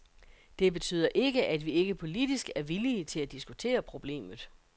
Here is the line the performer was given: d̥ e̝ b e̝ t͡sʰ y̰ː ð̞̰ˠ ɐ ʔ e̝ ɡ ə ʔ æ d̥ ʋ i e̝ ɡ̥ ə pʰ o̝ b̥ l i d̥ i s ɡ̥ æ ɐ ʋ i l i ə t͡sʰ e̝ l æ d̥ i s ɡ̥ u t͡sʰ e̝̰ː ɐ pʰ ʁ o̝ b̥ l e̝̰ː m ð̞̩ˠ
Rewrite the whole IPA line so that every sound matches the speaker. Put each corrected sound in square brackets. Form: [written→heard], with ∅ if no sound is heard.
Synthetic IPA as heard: d̥ e̝ b e̝ t͡sʰ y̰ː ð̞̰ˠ ɐ ʔ e̝ ɡ ə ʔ æ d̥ ʋ i e̝ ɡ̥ ə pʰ o̝ [b̥→∅] l i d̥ i s ɡ̥ æ ɐ ʋ i l i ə t͡sʰ e̝ l æ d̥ i s ɡ̥ u t͡sʰ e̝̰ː ɐ pʰ ʁ o̝ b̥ l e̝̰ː m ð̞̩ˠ